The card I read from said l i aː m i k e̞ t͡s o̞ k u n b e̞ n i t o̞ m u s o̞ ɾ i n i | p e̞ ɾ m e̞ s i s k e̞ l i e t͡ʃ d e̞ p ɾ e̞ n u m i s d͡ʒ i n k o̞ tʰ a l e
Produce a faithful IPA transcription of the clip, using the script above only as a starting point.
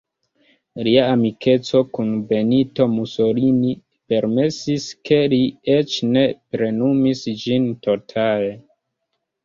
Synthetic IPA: l i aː m i k e̞ t͡s o̞ k u n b e̞ n i t o̞ m u s o̞ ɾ i n i | p e̞ ɾ m e̞ s i s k e̞ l i e t͡ʃ n e̞ p ɾ e̞ n u m i s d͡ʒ i n t o̞ tʰ a l e